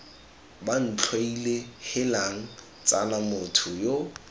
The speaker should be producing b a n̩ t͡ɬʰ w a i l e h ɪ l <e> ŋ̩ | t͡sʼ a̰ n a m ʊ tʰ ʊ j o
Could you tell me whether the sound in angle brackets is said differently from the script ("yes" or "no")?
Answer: yes